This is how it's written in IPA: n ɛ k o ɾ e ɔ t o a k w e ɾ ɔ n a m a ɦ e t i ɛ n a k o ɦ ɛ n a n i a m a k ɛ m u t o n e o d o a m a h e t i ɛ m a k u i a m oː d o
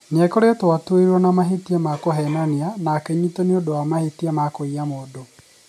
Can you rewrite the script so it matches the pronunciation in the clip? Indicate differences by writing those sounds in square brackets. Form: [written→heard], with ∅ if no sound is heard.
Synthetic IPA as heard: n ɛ k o ɾ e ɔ t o a [k→t] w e ɾ ɔ n a m a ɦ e t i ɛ [n→m] a k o ɦ ɛ n a n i a [m→n] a k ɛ [m→ɲ] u t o n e o d o a m a h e t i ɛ m a k [u→o] i a m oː d o